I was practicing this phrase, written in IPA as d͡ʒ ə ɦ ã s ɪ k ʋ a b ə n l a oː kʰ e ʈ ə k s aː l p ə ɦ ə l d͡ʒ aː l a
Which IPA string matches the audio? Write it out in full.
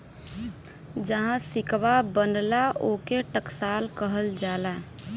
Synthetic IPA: d͡ʒ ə ɦ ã s ɪ k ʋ a b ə n l a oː k e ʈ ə k s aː l k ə ɦ ə l d͡ʒ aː l a